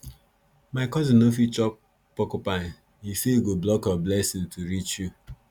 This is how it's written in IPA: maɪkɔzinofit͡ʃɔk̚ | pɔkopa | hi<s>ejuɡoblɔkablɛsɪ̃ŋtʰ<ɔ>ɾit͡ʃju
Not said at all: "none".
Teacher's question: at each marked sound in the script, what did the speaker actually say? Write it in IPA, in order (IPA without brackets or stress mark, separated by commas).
s, u